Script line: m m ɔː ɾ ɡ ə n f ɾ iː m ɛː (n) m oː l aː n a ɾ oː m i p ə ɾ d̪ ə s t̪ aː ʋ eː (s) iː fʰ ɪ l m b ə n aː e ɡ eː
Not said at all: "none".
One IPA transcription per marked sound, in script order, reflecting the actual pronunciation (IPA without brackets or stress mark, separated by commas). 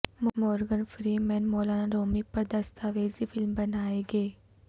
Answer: n, z